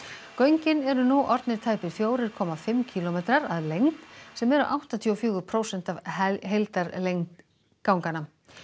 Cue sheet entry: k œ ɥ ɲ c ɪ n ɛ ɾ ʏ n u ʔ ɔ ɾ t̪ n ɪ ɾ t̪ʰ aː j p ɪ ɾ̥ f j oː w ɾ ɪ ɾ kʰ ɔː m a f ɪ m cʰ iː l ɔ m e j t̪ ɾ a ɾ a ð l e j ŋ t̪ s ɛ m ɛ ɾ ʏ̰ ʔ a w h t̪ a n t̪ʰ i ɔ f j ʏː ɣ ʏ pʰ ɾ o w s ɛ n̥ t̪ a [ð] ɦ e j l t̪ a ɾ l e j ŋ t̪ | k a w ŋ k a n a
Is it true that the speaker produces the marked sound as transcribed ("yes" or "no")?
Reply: no